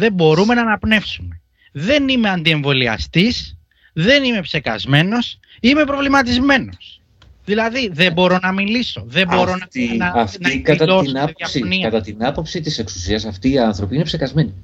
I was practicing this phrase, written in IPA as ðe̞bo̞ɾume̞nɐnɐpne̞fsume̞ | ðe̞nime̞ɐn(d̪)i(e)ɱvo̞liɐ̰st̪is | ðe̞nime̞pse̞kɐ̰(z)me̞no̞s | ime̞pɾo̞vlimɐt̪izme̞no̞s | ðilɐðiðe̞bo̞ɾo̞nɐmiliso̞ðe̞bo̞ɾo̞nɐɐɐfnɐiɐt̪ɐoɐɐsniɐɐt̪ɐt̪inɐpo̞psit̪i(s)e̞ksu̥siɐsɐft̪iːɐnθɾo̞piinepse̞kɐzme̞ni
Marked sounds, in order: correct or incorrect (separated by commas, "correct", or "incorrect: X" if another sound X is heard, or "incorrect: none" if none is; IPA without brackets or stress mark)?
correct, correct, correct, correct